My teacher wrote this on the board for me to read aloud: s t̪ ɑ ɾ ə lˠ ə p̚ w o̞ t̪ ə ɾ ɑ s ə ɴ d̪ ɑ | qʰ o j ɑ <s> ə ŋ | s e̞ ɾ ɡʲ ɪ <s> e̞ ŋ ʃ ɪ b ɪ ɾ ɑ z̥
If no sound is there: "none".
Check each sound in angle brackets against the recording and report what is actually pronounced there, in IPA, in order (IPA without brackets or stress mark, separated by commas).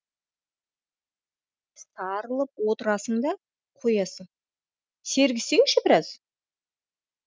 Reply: s, s